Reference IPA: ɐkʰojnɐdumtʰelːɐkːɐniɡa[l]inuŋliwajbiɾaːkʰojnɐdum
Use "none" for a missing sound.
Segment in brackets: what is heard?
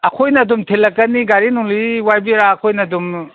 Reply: ɾ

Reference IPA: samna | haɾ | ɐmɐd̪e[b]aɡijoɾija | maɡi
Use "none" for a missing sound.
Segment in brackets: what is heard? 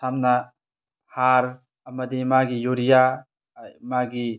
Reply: m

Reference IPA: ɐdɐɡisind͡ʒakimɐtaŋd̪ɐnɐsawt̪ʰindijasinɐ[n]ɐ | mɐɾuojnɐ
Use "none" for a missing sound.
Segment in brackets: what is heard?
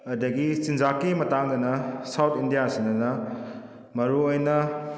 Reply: n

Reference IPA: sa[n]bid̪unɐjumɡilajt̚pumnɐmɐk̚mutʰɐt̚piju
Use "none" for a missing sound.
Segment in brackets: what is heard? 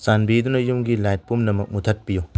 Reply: n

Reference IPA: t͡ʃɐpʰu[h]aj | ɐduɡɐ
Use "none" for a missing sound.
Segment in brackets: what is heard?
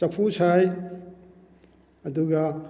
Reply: s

